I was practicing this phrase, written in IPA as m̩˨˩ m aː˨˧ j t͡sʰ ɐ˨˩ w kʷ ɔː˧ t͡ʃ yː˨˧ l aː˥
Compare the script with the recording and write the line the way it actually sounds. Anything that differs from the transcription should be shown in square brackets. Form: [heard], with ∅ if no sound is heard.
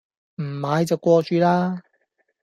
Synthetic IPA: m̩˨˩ m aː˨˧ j [t͡s] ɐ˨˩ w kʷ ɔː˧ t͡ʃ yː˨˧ l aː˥